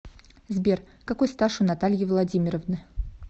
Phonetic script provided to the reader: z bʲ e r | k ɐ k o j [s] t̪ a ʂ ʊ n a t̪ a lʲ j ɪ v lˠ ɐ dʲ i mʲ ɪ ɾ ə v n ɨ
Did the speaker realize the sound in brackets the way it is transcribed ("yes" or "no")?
yes